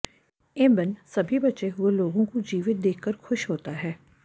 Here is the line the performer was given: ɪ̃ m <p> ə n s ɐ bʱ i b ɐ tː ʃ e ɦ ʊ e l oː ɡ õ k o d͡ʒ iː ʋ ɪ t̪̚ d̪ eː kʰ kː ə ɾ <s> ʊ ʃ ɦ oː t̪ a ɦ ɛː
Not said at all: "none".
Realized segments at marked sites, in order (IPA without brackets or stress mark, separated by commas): b, x